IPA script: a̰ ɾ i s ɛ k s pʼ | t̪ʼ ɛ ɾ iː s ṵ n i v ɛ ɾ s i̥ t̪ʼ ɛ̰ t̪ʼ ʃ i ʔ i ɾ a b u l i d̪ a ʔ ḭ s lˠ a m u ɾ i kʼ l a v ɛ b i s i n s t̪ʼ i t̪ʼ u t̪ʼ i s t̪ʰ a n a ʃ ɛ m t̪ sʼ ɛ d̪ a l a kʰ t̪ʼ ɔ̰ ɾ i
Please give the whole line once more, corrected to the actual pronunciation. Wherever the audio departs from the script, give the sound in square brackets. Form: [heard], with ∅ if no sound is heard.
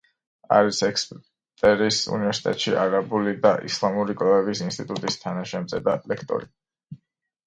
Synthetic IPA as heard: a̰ ɾ i s ɛ k s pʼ | t̪ʼ ɛ ɾ [i] s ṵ n i v ɛ ɾ s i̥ t̪ʼ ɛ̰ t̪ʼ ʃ i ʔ [a] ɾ a b u l i d̪ a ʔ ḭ s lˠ a m u ɾ i kʼ l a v ɛ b i s i n s t̪ʼ i t̪ʼ u t̪ʼ i s t̪ʰ a n a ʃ ɛ m t̪ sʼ ɛ d̪ a l [ɛ] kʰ t̪ʼ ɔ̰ ɾ i